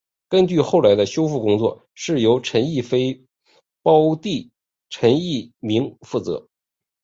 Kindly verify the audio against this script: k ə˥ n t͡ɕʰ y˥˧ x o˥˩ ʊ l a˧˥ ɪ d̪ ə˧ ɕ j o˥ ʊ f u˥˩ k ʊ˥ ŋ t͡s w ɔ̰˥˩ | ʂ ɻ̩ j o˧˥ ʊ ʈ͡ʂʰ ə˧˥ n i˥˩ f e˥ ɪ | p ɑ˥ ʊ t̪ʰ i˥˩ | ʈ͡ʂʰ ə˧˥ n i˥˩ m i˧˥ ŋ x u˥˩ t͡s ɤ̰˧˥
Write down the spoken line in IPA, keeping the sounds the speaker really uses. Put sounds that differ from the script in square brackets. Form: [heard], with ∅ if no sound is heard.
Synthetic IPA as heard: k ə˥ n [t͡ɕ] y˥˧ x o˥˩ ʊ l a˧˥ ɪ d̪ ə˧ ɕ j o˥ ʊ f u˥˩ k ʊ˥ ŋ t͡s w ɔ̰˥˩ | ʂ ɻ̩ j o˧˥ ʊ ʈ͡ʂʰ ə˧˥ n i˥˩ f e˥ ɪ | p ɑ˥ ʊ [t̪] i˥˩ | ʈ͡ʂʰ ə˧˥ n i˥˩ m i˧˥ ŋ [f] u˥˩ t͡s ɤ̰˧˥